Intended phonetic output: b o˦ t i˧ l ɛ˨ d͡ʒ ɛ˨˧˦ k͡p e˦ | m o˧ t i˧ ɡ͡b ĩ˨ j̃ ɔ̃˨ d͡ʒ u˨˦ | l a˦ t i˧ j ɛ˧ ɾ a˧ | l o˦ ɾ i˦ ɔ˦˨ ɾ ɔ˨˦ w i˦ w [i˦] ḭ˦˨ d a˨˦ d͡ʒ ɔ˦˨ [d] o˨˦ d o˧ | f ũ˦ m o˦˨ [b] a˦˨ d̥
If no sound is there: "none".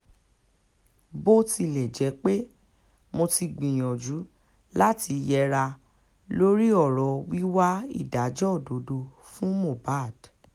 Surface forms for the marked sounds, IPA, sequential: a˦, d, b

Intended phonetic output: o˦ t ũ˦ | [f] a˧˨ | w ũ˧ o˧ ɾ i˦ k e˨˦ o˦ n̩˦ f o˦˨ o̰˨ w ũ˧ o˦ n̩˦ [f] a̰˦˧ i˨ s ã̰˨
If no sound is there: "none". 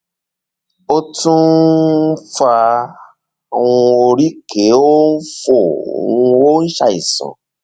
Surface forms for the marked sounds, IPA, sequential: f, ʃ

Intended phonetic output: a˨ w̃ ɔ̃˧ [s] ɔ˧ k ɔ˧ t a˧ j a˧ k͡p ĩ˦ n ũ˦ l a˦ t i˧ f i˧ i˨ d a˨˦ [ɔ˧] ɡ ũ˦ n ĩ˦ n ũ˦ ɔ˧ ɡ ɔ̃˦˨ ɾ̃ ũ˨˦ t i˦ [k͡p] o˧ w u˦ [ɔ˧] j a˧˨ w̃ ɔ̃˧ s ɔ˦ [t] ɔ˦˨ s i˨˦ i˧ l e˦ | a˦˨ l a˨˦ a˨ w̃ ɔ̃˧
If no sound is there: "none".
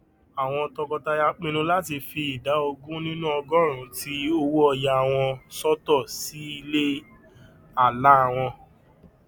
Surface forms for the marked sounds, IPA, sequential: t, o˧, none, ɔ˧, t

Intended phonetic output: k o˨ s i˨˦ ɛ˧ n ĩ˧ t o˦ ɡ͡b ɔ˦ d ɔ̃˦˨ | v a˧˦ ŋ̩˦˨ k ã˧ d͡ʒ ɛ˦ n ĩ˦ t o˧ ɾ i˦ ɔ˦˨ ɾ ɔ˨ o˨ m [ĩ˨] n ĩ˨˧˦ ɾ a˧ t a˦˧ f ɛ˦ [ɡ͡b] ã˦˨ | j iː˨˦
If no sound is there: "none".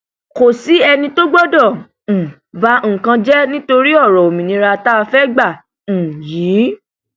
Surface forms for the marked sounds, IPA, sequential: ĩ˨, ɡ͡b

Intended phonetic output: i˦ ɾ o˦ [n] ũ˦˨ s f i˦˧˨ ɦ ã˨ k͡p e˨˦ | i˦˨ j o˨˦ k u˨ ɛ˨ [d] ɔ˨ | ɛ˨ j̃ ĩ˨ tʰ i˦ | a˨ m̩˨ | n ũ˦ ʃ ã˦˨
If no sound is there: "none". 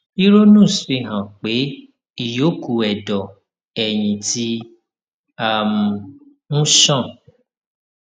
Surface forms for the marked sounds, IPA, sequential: n, d

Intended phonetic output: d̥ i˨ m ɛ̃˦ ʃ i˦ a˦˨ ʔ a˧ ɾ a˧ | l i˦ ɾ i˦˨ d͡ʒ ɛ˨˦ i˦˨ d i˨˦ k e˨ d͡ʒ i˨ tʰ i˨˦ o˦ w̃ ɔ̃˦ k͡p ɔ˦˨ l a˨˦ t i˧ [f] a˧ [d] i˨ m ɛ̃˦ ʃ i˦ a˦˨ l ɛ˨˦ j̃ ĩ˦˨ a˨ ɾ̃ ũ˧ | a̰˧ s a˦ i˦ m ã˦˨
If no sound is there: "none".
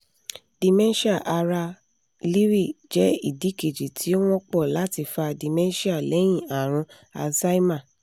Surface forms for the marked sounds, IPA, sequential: f, d

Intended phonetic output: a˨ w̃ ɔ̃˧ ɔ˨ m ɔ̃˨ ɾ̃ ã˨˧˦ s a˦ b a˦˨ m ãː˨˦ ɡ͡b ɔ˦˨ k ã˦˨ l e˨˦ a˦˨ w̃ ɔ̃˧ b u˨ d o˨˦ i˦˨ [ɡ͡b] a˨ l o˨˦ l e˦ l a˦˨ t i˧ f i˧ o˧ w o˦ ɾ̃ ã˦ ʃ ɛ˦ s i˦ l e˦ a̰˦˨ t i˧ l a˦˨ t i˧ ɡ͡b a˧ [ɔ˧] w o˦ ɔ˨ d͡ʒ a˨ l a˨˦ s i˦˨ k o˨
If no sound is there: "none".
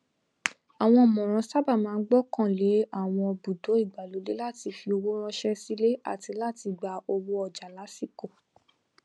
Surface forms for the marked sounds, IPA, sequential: ɡ͡b, o˧

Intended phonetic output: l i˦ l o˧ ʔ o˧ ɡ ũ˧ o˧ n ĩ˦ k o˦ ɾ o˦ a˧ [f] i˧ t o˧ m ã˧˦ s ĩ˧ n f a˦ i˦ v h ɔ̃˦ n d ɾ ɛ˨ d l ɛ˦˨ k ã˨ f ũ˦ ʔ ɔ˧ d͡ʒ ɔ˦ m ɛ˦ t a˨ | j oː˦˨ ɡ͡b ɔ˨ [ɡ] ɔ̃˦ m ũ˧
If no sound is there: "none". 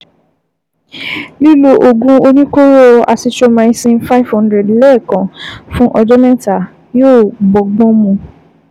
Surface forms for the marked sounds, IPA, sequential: s, ɡ͡b

